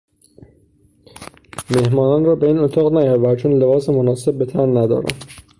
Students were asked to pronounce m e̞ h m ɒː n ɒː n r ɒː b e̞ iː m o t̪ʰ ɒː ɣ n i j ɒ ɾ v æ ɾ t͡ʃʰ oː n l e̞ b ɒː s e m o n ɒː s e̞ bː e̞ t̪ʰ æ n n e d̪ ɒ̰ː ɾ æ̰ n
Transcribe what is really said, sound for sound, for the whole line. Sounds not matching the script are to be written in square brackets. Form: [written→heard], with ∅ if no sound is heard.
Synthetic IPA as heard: m e̞ h m ɒː n ɒː n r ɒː b e̞ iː [m→n] o t̪ʰ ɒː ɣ n [i→æ] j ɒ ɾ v æ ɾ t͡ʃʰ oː n l e̞ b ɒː s e m o n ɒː s e̞ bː e̞ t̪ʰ æ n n [e→æ] d̪ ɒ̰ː ɾ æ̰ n